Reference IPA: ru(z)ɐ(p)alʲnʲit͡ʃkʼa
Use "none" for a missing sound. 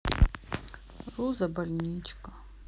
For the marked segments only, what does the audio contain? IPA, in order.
z, b

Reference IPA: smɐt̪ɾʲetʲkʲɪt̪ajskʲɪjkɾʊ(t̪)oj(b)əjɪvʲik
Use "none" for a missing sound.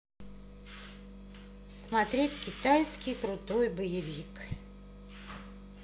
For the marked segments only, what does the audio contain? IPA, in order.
t̪, b

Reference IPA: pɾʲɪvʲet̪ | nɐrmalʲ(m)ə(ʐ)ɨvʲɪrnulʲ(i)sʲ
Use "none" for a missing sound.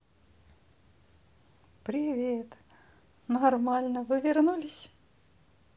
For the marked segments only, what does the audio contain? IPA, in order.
n, v, ɪ

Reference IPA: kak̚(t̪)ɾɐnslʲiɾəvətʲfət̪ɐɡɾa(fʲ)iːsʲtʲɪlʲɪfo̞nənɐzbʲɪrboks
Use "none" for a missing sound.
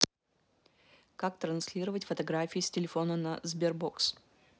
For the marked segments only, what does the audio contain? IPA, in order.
t̪, fʲ

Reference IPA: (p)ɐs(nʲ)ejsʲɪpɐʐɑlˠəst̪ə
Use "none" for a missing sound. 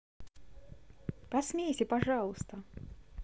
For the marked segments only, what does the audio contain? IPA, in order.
p, mʲ

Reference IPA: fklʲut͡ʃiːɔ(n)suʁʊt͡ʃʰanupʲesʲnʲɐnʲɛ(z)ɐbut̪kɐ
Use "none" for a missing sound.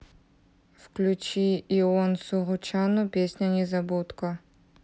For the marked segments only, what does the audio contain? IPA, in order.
n, z

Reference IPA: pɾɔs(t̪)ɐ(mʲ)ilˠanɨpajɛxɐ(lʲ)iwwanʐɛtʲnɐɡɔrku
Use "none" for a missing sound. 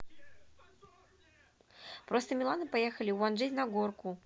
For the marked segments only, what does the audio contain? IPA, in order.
t̪, mʲ, lʲ

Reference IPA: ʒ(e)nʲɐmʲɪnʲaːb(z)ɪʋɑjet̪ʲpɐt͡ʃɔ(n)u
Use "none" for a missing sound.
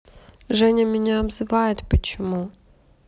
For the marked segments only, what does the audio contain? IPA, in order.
ɛ, z, m

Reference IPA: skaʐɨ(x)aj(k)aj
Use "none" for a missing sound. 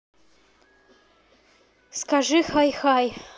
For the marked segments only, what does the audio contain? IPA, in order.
x, x

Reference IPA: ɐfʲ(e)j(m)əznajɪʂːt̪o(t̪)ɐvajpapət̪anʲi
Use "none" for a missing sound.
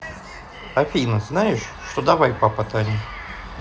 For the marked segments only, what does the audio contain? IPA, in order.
i, n, d̪

